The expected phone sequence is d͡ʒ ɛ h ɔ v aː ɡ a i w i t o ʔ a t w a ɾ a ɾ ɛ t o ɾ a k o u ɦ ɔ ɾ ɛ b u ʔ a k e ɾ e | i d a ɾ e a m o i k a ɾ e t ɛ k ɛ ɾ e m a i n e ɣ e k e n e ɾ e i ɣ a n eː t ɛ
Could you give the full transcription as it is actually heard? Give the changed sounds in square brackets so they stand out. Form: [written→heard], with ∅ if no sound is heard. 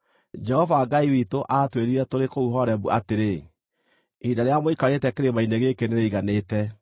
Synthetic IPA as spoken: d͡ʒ ɛ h ɔ v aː ɡ a i w i t o ʔ a t w [a→e] ɾ [a→i] ɾ ɛ t o ɾ [a→e] k o u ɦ ɔ ɾ ɛ b u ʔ a [k→t] e ɾ e | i d a ɾ e a m o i k a ɾ e t ɛ k [ɛ→e] ɾ e m a i n e ɣ e k e n e ɾ e i ɣ a n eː t ɛ

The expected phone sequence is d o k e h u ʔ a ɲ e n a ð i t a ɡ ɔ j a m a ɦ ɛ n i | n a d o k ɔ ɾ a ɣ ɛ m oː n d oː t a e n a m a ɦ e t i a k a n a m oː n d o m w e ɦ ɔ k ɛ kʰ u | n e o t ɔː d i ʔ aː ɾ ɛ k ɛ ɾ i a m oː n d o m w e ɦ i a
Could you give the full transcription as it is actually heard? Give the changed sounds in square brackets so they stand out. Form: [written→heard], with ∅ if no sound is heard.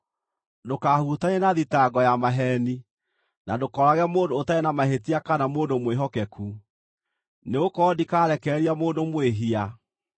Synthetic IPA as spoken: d o k [e→a] h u [ʔ→t] a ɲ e n a ð i t a ɡ ɔ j a m a ɦ ɛ n i | n a d o k ɔ ɾ a ɣ ɛ m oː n d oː t a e n a m a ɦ e t i a k a n a m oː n d o m w e ɦ ɔ k ɛ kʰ u | n e o [t→k] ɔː d i [ʔ→k] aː ɾ ɛ k ɛ ɾ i a m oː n d o m w e ɦ i a

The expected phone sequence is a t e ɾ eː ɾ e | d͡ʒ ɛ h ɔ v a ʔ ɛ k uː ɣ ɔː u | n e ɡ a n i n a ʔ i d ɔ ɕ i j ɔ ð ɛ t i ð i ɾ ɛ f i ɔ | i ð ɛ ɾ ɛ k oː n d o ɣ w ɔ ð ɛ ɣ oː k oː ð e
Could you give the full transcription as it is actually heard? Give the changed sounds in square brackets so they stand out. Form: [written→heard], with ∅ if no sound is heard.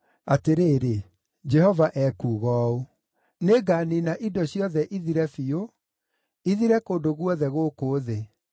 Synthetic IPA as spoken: a t e ɾ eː ɾ e | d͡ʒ ɛ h ɔ v a ʔ ɛ k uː ɣ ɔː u | n e ɡ a n i n a ʔ i d ɔ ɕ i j ɔ ð ɛ [t→ʔ] i ð i ɾ ɛ f i [ɔ→o] | i ð [ɛ→i] ɾ ɛ k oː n d o ɣ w ɔ ð ɛ ɣ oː k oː ð e

